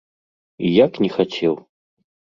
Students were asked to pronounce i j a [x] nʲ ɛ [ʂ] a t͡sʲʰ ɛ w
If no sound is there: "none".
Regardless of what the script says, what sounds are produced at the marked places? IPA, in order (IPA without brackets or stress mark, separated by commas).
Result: k, x